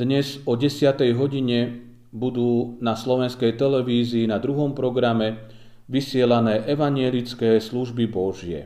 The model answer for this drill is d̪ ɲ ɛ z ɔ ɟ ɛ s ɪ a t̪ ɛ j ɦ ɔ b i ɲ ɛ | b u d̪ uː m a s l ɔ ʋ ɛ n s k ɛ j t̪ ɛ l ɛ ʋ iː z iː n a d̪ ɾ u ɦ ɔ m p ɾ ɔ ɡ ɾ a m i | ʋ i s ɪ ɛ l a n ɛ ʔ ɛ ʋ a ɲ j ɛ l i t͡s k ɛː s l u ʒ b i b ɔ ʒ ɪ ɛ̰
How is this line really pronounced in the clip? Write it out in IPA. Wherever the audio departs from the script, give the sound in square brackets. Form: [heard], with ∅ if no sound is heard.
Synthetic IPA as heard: d̪ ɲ ɛ z ɔ ɟ ɛ s ɪ a t̪ ɛ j ɦ ɔ [ɟ] i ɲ ɛ | b u d̪ uː [n] a s l ɔ ʋ ɛ n s k ɛ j t̪ ɛ l ɛ ʋ iː z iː n a d̪ ɾ u ɦ ɔ m p ɾ ɔ ɡ ɾ a m [ɛ] | ʋ i s ɪ ɛ l a n [ɛː] ʔ ɛ ʋ a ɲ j ɛ l i t͡s k ɛː s l u ʒ b i b ɔ ʒ ɪ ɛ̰